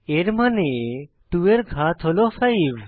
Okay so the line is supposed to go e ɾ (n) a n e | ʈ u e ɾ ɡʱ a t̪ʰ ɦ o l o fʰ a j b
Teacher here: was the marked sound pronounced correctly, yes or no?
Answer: no